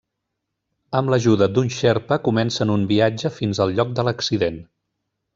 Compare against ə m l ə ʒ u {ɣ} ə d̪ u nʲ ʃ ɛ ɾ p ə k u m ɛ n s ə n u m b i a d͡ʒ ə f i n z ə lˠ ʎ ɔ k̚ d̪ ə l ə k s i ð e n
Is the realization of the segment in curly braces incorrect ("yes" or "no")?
yes